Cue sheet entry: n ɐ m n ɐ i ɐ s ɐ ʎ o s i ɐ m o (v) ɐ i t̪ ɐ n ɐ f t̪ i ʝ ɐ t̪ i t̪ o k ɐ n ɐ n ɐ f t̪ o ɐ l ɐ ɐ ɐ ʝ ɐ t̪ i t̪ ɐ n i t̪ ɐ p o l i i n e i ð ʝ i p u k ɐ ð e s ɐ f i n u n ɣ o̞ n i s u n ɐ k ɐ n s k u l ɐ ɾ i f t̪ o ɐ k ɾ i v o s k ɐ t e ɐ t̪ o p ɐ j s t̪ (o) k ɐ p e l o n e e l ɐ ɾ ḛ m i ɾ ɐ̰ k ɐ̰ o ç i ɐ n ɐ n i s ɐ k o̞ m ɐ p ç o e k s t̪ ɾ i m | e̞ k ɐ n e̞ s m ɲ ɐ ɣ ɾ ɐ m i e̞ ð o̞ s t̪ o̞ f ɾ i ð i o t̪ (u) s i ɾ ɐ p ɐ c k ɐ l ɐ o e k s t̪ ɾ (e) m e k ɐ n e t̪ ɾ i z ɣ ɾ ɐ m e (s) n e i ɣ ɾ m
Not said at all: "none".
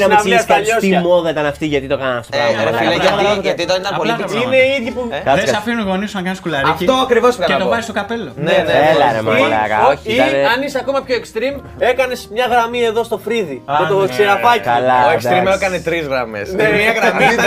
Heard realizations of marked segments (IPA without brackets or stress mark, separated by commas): ð, o, o, i, s